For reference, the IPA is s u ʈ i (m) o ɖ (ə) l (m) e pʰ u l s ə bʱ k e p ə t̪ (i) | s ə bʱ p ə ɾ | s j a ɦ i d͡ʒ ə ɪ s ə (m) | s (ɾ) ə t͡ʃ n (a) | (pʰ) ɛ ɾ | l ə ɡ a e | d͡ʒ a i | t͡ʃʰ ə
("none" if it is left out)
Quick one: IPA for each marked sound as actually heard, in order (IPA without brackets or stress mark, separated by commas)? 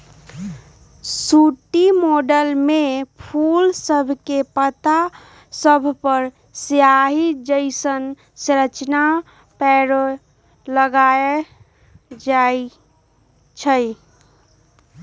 m, ə, m, a, n, ɾ, a, p